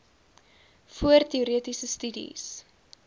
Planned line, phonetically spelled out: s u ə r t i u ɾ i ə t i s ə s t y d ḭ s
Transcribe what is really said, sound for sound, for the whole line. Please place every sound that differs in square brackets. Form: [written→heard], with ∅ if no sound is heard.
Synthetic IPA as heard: [s→f] u ə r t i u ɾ i ə t i s ə s t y d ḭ s